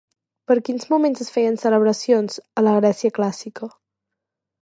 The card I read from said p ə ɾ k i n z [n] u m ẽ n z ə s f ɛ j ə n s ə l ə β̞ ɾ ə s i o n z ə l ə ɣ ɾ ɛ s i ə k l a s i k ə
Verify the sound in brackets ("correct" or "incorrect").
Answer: incorrect